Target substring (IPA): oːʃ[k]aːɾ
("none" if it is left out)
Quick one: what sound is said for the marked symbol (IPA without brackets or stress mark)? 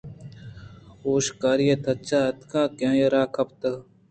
k